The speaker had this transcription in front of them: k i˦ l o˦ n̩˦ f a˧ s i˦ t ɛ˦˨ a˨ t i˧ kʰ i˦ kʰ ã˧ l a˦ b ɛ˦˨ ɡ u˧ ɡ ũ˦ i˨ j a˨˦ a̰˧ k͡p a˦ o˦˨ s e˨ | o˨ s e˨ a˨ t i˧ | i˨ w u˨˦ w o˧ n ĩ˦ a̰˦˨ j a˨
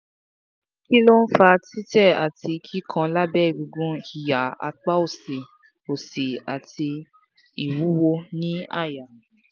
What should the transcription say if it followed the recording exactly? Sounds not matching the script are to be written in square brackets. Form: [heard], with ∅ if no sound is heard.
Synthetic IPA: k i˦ l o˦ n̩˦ f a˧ [t] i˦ t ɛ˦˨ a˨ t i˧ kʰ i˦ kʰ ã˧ l a˦ b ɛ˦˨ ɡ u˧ ɡ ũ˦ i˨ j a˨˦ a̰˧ k͡p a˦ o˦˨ s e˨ | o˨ s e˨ a˨ t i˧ | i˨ w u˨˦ w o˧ n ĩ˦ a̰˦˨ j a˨

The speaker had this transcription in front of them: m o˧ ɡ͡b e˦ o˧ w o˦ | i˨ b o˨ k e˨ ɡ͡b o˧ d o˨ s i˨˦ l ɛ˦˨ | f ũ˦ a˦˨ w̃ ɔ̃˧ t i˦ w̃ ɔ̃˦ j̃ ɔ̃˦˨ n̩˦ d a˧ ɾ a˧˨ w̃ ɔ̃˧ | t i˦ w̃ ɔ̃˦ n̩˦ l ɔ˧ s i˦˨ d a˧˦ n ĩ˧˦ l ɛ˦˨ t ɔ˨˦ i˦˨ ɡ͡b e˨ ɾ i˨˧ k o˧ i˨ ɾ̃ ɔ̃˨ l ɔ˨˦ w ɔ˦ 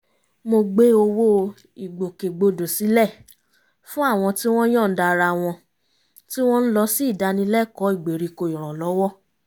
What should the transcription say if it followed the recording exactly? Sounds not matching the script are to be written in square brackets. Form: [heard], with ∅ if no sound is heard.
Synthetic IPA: m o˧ ɡ͡b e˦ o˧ w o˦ | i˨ [ɡ͡b] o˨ k e˨ ɡ͡b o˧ d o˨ s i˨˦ l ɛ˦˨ | f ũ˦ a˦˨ w̃ ɔ̃˧ t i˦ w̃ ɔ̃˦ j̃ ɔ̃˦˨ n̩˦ d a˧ ɾ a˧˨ w̃ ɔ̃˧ | t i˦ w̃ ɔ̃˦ n̩˦ l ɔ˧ s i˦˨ d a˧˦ n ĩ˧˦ l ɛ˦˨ [k] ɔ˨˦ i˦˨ ɡ͡b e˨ ɾ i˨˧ k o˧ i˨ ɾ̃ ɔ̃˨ l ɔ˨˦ w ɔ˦

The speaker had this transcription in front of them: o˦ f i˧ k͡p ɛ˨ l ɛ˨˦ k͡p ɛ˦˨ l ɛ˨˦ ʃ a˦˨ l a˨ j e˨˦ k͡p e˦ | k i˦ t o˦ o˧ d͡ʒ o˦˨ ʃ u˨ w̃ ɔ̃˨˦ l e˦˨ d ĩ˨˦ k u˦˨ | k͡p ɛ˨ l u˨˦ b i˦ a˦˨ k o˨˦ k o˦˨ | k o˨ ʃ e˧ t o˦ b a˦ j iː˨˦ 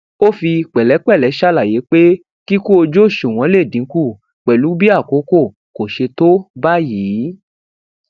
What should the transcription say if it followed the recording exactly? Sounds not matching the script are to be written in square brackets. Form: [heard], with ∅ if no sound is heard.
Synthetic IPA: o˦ f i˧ k͡p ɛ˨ l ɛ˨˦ k͡p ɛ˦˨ l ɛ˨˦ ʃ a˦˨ l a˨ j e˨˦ k͡p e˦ | k i˦ [k] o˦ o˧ d͡ʒ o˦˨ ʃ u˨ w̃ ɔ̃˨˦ l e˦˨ d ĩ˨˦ k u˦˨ | k͡p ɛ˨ l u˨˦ b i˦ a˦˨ k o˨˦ k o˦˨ | k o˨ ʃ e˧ t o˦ b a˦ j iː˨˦

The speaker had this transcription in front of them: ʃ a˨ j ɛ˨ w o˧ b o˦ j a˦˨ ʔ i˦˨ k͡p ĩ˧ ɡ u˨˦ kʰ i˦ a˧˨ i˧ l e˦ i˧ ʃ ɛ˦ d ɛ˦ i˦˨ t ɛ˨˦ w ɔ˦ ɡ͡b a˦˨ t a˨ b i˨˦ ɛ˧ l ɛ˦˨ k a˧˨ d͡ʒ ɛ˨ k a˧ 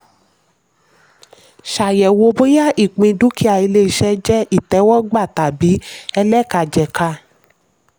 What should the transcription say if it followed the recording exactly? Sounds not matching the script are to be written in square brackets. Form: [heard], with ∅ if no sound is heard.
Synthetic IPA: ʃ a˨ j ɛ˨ w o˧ b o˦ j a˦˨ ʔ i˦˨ k͡p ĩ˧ [d] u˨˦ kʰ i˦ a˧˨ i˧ l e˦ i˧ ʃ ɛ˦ [d͡ʒ] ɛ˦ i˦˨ t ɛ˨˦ w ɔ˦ ɡ͡b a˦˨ t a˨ b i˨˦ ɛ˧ l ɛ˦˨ k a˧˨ d͡ʒ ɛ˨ k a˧

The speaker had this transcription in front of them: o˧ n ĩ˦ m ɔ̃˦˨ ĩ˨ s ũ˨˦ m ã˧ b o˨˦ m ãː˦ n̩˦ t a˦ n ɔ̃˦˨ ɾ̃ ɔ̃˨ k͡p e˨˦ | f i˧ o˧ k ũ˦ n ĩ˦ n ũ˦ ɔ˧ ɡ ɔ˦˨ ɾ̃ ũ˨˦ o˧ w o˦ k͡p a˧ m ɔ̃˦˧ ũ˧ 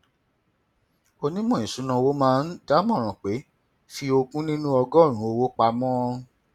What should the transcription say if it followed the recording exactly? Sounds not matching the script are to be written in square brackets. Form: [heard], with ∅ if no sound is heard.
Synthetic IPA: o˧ n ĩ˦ m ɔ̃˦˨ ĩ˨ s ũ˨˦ [n] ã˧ [w] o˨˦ m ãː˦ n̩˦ [d] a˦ [m] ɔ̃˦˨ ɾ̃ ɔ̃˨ k͡p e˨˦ | f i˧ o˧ k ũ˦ n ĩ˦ n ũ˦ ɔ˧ ɡ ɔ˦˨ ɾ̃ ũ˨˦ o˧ w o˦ k͡p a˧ m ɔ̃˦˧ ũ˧

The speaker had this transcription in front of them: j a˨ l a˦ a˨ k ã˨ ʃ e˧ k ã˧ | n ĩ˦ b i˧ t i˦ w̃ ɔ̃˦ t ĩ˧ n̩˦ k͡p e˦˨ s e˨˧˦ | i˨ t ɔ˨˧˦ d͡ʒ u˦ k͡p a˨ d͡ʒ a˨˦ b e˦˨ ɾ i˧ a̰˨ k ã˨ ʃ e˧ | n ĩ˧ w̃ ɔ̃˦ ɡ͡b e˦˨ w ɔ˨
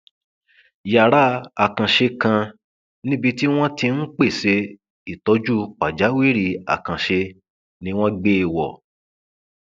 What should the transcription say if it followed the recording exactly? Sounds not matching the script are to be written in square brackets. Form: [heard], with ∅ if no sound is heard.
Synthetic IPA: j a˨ [ɾ] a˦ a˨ k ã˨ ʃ e˧ k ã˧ | n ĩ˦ b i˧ t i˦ w̃ ɔ̃˦ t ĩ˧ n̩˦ k͡p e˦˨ s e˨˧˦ | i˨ t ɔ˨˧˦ d͡ʒ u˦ k͡p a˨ d͡ʒ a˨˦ [w] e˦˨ ɾ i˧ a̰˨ k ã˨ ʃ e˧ | n ĩ˧ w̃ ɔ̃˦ ɡ͡b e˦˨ w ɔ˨

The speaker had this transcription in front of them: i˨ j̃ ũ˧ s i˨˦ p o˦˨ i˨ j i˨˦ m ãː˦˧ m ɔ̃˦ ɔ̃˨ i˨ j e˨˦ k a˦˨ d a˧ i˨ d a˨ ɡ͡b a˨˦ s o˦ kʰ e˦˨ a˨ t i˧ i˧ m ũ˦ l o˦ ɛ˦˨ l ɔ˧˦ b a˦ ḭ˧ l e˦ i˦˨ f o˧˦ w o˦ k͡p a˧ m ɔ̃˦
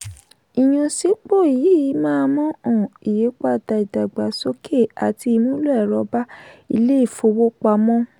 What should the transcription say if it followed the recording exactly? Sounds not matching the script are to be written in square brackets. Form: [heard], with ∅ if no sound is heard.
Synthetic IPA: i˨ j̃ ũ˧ s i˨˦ [k͡p] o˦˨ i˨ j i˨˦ m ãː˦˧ m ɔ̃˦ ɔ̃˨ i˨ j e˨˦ [k͡p] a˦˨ d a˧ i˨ d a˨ ɡ͡b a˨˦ s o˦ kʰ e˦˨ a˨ t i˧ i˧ m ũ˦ l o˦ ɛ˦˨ [ɾ] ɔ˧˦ b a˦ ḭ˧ l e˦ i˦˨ f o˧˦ w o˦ k͡p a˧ m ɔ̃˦

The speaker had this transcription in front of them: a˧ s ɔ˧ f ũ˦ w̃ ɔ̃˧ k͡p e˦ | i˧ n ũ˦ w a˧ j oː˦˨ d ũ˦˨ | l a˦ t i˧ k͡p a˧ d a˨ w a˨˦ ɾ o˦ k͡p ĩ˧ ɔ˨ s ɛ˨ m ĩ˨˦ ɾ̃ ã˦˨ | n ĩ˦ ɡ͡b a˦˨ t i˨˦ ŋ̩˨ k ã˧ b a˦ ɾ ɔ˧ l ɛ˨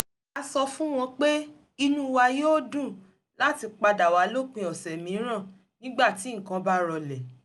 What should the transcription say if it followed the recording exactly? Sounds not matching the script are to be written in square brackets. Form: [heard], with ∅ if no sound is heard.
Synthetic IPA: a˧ s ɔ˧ f ũ˦ w̃ ɔ̃˧ k͡p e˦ | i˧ n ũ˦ w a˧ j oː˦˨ d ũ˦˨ | l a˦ t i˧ k͡p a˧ d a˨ w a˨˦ [l] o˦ k͡p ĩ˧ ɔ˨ s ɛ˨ m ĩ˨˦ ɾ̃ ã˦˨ | n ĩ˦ ɡ͡b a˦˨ t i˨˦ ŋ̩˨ k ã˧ b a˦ ɾ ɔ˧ l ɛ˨

